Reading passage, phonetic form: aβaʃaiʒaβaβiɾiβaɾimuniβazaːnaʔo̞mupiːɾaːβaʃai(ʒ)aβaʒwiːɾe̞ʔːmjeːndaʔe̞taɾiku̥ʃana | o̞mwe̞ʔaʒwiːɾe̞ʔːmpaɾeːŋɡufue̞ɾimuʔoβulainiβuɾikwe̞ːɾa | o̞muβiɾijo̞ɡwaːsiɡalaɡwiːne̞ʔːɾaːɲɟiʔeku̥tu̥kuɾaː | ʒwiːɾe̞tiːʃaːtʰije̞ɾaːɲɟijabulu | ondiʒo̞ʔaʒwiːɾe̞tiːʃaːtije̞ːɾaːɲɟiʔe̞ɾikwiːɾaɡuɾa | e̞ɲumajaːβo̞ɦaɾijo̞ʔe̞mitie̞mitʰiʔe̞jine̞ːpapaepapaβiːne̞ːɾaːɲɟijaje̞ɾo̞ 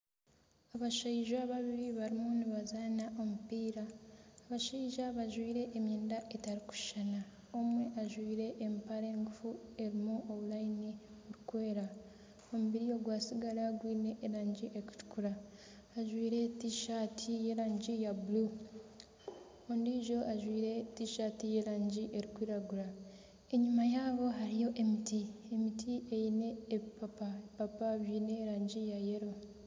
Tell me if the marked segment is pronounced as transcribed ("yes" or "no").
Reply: yes